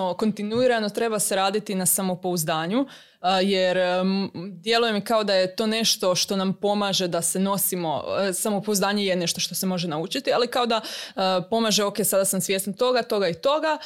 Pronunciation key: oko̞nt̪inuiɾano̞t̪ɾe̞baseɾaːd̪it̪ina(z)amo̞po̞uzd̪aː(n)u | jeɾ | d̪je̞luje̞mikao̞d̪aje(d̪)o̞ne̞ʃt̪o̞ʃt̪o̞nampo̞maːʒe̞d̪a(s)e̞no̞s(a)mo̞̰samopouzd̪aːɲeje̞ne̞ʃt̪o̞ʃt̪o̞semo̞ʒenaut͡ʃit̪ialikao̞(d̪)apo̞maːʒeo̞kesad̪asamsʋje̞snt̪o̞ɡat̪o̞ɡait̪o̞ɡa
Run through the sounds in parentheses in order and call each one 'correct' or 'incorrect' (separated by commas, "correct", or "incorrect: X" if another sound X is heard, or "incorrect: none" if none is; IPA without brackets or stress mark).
incorrect: s, incorrect: ɲ, incorrect: t̪, correct, incorrect: i, correct